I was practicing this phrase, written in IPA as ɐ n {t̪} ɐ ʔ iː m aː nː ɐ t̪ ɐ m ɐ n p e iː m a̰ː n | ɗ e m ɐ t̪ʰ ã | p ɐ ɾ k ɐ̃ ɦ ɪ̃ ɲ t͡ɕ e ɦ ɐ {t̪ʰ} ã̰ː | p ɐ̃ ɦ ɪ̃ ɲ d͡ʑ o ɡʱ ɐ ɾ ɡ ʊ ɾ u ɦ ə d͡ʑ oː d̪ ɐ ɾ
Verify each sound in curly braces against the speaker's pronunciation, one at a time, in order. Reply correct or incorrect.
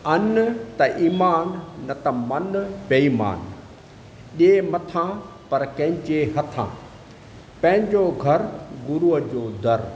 correct, correct

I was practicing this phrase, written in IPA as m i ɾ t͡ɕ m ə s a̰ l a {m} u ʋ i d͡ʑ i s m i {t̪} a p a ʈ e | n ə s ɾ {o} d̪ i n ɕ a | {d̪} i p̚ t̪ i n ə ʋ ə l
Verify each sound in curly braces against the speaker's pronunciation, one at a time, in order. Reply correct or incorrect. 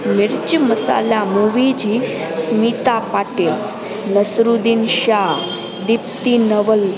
correct, correct, incorrect, correct

